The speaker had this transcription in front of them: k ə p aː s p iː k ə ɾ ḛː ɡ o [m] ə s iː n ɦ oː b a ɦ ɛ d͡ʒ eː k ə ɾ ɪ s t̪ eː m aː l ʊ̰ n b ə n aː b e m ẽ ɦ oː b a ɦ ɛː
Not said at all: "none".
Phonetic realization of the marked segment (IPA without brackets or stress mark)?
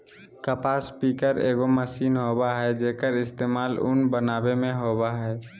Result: m